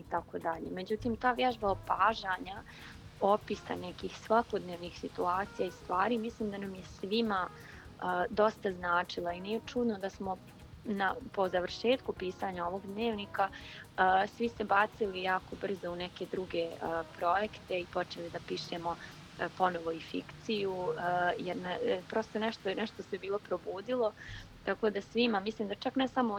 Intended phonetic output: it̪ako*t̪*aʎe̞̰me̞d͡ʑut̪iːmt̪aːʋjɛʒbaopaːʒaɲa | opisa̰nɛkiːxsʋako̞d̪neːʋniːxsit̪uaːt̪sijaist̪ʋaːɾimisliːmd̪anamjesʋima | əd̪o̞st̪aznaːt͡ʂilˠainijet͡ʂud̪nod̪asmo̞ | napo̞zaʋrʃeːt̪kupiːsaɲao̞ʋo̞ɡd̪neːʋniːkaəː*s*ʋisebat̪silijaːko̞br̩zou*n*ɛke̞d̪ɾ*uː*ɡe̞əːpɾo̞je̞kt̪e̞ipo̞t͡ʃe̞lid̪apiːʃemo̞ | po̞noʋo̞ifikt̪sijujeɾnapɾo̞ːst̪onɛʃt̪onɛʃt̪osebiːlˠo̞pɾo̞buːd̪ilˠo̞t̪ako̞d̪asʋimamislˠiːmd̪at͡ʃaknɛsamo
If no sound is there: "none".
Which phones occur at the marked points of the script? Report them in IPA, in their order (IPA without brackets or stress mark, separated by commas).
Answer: d̪, s, n, u